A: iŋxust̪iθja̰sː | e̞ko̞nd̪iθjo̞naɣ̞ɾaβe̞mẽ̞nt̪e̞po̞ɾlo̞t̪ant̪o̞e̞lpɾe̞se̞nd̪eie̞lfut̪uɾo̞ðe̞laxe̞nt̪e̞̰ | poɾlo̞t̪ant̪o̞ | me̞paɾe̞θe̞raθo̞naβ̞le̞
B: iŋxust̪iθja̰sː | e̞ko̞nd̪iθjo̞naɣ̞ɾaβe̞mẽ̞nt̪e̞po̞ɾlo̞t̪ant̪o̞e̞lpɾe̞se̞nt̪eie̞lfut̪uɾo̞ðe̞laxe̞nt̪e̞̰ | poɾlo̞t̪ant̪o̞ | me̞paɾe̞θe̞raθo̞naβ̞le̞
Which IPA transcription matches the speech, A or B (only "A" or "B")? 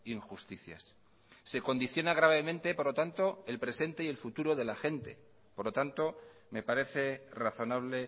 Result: B